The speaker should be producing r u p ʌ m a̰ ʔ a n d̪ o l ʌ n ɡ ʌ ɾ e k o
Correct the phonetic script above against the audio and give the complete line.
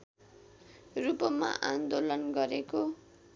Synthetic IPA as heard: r u p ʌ m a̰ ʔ a n d̪ o l ʌ n ɡ ʌ ɾ e k o